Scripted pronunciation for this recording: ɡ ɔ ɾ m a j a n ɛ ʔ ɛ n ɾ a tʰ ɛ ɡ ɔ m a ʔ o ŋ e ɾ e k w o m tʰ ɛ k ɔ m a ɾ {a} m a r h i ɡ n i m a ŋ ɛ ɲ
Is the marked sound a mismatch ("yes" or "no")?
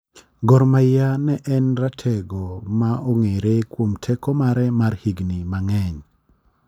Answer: yes